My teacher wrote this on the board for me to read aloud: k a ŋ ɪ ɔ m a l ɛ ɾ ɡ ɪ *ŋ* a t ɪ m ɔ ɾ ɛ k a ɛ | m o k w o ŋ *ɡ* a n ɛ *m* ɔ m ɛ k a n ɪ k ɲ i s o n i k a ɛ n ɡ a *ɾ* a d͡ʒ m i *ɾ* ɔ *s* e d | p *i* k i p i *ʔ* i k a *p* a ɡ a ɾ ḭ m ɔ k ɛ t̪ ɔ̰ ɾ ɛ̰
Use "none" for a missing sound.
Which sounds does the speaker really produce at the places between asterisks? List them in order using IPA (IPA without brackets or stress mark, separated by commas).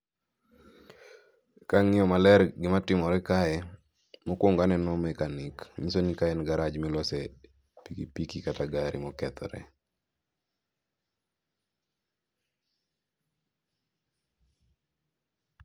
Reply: m, ɡ, n, ɾ, l, s, i, k, t